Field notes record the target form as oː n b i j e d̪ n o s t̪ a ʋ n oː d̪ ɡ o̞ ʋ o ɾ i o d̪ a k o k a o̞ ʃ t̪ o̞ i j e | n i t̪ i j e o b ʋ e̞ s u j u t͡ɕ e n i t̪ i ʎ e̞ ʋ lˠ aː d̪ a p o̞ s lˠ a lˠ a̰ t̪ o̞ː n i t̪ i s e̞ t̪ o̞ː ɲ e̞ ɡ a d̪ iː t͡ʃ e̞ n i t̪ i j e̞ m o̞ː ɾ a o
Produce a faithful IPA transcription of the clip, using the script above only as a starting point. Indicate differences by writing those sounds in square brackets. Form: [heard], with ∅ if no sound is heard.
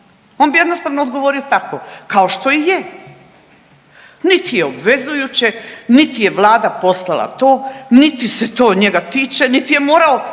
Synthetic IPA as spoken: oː n b i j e d̪ n o s t̪ a ʋ n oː d̪ ɡ o̞ ʋ o ɾ i o [t̪] a k o k a o̞ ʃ t̪ o̞ i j e | n i t̪ i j e o b ʋ e̞ [z] u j u t͡ɕ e n i t̪ i [j] e̞ ʋ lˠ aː d̪ a p o̞ s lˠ a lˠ a̰ t̪ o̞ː n i t̪ i s e̞ t̪ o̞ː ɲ e̞ ɡ a [t̪] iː t͡ʃ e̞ n i t̪ i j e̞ m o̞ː ɾ a o